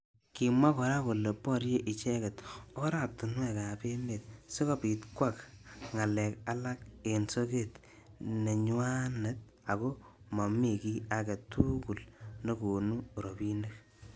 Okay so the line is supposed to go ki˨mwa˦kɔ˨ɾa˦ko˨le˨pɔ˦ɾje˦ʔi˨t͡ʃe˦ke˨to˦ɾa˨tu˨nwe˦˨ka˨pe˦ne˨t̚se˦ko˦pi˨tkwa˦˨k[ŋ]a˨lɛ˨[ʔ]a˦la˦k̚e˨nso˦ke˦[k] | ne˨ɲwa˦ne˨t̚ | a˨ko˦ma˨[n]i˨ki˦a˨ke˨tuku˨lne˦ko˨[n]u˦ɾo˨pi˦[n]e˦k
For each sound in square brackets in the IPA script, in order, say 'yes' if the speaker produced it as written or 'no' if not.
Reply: yes, no, no, no, yes, yes

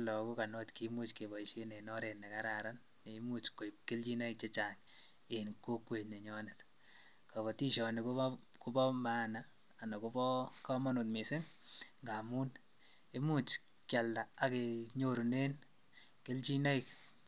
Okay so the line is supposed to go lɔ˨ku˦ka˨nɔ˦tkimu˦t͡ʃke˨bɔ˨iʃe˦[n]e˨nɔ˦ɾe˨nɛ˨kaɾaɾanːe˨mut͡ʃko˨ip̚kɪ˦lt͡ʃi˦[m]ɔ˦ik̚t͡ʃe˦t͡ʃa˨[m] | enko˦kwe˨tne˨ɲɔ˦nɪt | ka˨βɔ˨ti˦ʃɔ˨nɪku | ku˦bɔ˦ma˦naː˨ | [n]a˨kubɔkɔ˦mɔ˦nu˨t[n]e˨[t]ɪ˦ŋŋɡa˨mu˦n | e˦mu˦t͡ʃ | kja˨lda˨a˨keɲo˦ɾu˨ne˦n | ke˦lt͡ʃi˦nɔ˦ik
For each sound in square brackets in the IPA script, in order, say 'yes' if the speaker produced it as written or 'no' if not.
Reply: yes, no, no, yes, no, no

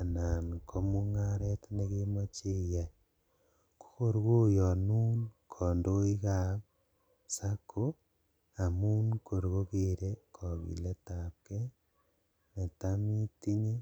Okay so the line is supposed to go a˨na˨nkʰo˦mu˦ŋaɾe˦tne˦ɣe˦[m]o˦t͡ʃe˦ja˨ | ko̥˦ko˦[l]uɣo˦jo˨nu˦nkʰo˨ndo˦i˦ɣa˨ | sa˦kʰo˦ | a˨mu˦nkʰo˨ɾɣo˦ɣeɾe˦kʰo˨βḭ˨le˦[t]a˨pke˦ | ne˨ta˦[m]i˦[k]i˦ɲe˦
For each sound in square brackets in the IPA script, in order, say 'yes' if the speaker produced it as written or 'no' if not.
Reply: yes, no, yes, yes, no

